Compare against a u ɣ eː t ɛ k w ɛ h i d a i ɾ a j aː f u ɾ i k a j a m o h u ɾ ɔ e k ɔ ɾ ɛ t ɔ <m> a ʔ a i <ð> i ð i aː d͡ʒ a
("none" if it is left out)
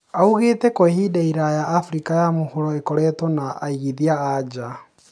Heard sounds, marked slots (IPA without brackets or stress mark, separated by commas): n, ɣ